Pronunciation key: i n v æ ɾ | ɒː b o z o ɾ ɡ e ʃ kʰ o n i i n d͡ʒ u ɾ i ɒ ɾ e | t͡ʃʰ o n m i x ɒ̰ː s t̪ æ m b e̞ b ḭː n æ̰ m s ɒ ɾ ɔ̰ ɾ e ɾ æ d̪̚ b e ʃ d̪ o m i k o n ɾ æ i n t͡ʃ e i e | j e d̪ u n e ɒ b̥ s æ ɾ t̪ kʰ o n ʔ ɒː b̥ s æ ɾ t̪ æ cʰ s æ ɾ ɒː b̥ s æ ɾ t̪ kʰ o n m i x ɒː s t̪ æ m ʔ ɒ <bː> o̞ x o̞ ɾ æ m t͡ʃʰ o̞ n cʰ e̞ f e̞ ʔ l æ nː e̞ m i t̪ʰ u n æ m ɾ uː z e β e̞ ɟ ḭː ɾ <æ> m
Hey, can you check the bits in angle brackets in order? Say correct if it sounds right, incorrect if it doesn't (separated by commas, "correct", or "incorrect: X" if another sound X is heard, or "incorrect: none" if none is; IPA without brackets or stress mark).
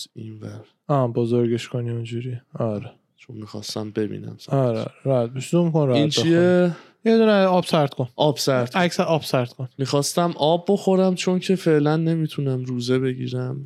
correct, correct